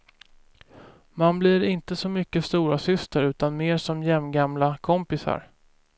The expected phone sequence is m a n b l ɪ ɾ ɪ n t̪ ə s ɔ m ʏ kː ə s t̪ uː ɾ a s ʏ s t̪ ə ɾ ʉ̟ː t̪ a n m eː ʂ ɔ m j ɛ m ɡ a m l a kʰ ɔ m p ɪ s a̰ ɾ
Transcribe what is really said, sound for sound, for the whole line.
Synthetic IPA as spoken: m a n b l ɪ ɾ ɪ n t̪ ə s ɔ m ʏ kː ə s t̪ uː ɾ a s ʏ s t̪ ə ɾ ʉ̟ː t̪ a n m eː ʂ ɔ m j ɛ m ɡ a m l a kʰ ɔ m p ɪ s a̰ ɾ